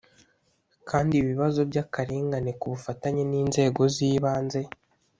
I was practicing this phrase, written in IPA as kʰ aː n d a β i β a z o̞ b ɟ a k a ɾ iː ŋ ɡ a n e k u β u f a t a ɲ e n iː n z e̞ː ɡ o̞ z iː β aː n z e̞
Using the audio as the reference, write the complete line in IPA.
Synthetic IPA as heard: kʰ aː n d i β i β a z o̞ b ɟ a k a ɾ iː ŋ ɡ a n e k u β u f a t a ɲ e n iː n z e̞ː ɡ o̞ z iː β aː n z e̞